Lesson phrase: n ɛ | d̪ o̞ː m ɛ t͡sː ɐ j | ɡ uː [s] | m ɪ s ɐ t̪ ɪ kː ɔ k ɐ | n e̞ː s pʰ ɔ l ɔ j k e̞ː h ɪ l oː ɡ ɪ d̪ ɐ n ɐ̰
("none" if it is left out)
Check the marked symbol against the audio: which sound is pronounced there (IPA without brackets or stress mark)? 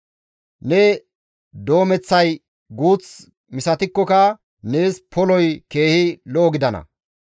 t͡s